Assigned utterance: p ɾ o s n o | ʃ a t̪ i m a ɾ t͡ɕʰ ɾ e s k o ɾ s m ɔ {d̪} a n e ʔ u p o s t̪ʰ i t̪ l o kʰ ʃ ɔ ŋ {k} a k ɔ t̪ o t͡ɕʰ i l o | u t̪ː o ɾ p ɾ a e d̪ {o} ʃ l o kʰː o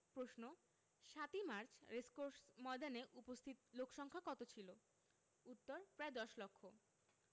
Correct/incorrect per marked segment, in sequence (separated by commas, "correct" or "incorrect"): correct, incorrect, incorrect